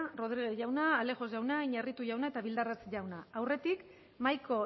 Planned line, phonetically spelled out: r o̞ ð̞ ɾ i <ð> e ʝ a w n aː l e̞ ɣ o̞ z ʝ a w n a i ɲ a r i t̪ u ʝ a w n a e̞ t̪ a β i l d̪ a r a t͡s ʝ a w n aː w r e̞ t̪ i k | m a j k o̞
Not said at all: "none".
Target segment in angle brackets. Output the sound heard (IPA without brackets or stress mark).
ɣ